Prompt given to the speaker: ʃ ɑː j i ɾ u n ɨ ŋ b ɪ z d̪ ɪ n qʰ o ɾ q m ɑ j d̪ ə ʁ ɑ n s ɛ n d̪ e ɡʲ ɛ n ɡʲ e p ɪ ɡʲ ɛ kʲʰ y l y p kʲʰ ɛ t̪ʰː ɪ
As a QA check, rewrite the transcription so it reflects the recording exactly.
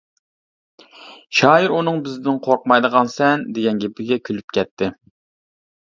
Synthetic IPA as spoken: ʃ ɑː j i ɾ u n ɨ ŋ b ɪ z d̪ ɪ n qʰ o ɾ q m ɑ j d̪ ə ʁ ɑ n s ɛ n d̪ e ɡʲ ɛ n ɡʲ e p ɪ ɡʲ ɛ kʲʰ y l y p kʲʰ ɛ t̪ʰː ɪ